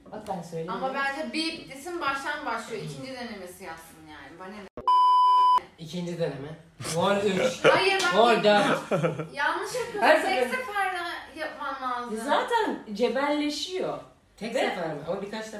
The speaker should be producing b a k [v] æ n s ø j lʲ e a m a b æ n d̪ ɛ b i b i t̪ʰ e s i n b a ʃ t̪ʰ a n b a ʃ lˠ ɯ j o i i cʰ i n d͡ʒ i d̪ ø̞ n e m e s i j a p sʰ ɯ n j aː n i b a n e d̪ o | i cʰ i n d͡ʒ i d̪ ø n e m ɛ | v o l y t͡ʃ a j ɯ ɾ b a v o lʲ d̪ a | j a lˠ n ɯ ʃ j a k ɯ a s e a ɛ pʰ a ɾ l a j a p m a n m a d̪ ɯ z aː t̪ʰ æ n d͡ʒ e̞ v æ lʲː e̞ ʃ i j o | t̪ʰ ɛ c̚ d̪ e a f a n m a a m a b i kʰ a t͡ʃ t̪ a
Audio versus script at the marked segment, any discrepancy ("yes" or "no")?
yes